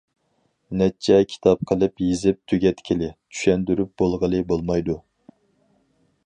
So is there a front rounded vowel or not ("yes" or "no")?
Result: yes